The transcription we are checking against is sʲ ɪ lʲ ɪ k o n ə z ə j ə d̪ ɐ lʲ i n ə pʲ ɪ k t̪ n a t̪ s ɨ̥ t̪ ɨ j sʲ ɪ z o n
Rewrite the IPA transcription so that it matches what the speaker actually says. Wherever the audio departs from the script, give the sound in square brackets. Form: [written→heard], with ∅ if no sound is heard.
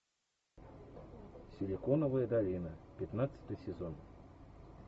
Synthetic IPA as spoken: sʲ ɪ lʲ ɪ k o n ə [z→v] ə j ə d̪ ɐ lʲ i n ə pʲ ɪ [k→∅] t̪ n a t̪ s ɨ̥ t̪ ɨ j sʲ ɪ z o n